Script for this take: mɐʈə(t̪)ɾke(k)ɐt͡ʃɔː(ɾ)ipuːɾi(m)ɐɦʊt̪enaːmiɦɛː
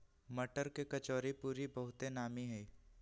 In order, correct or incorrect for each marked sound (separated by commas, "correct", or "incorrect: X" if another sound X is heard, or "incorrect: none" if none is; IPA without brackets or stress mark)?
incorrect: none, correct, correct, incorrect: b